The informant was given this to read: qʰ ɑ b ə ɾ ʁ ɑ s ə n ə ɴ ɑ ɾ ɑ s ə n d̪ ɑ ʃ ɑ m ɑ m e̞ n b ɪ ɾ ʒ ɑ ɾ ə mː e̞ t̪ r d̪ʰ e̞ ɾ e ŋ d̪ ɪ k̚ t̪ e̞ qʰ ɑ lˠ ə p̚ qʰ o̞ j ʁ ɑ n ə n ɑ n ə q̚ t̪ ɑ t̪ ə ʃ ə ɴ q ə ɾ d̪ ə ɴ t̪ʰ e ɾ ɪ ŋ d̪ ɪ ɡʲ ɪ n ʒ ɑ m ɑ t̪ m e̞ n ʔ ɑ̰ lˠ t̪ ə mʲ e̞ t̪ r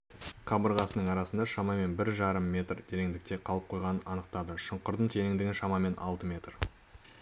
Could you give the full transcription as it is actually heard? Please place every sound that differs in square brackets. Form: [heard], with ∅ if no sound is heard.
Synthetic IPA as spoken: qʰ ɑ b ə ɾ ʁ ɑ s ə n ə ɴ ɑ ɾ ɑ s ə n d̪ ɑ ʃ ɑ m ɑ m e̞ n b ɪ ɾ ʒ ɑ ɾ ə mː e̞ t̪ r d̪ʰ e̞ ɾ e ŋ d̪ ɪ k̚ t̪ e̞ qʰ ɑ lˠ ə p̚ qʰ o̞ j ʁ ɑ n ə n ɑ n ə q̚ t̪ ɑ [d̪] ə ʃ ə ɴ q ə ɾ d̪ ə ɴ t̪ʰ e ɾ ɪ ŋ d̪ ɪ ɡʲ ɪ n [ʃ] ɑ m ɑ [∅] m e̞ n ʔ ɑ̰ lˠ t̪ ə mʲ e̞ t̪ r

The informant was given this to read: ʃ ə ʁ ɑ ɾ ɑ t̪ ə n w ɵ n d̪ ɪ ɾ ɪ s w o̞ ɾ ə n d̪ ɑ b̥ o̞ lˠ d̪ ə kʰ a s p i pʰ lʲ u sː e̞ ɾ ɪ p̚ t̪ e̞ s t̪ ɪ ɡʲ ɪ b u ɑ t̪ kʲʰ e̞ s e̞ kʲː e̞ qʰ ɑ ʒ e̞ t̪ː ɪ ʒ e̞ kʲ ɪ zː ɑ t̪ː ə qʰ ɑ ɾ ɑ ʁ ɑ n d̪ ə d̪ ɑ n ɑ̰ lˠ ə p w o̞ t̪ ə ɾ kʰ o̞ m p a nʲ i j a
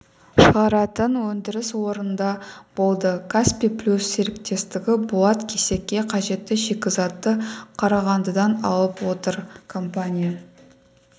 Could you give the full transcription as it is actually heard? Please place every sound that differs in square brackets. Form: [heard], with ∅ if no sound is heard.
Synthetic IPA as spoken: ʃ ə ʁ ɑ ɾ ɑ t̪ ə n w ɵ n d̪ ɪ ɾ ɪ s w o̞ ɾ ə n d̪ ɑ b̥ o̞ lˠ d̪ ə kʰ a s p i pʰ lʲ u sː e̞ ɾ ɪ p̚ t̪ e̞ s t̪ ɪ ɡʲ ɪ b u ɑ t̪ kʲʰ e̞ s e̞ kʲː e̞ qʰ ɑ ʒ e̞ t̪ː ɪ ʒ e̞ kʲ ɪ [z] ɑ t̪ː ə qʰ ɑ ɾ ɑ ʁ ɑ n d̪ ə d̪ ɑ n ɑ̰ lˠ ə p w o̞ t̪ ə ɾ kʰ o̞ m p a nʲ i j a

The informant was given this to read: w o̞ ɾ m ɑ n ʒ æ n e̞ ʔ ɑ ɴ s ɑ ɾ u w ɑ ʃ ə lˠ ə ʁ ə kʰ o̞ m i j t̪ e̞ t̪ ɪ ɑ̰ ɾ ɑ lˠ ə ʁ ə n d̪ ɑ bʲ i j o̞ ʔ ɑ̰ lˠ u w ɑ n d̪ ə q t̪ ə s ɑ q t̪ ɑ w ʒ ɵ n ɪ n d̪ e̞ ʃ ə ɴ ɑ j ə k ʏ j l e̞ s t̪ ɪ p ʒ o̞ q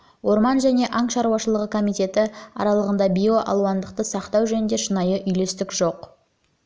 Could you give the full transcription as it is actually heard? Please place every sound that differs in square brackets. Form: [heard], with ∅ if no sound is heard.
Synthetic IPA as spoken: w o̞ ɾ m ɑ n ʒ æ n e̞ ʔ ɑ ɴ [ʃ] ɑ ɾ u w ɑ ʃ ə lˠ ə ʁ ə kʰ o̞ m i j t̪ e̞ t̪ ɪ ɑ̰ ɾ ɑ lˠ ə ʁ ə n d̪ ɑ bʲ i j o̞ ʔ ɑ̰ lˠ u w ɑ n d̪ ə q t̪ ə s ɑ q t̪ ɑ w ʒ ɵ n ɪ n d̪ e̞ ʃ ə [n] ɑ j ə [ʔ] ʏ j l e̞ s t̪ ɪ [k] ʒ o̞ q

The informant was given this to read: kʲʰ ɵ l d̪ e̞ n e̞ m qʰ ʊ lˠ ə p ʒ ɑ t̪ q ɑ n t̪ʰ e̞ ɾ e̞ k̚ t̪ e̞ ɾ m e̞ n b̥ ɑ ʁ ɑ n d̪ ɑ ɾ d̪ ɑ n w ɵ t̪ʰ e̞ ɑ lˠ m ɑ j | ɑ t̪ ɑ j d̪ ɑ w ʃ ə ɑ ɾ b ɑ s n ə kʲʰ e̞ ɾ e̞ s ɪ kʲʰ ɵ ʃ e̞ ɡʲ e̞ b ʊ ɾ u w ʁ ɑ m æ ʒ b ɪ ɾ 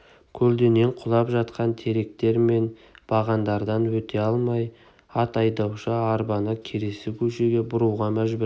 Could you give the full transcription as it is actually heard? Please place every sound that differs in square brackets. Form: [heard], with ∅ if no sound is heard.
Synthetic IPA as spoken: kʲʰ ɵ l d̪ e̞ n e̞ [ɴ] qʰ ʊ lˠ [ɑ] p ʒ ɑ t̪ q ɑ n t̪ʰ e̞ ɾ e̞ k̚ t̪ e̞ ɾ m e̞ n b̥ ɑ ʁ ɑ n d̪ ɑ ɾ d̪ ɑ n w ɵ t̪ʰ e̞ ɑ lˠ m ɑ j | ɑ t̪ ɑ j d̪ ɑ w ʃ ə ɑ ɾ b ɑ [∅] n ə kʲʰ e̞ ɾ e̞ s ɪ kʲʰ ɵ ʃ e̞ ɡʲ e̞ b ʊ ɾ u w ʁ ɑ m æ ʒ b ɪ ɾ

